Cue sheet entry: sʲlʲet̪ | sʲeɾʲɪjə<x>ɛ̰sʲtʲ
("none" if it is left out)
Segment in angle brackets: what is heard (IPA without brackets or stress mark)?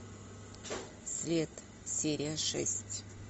ʂ